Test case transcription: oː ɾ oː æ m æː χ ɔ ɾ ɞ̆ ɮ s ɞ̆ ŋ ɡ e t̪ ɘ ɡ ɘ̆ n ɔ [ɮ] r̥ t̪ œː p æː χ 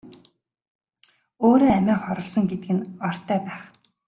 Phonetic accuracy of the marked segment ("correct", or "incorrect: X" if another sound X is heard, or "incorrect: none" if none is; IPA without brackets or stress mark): incorrect: none